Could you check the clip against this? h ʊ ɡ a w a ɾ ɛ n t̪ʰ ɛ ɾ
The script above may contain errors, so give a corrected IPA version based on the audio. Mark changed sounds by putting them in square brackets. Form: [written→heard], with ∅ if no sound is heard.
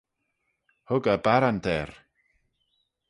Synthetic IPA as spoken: h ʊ ɡ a [w→b] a ɾ [ɛ→a] n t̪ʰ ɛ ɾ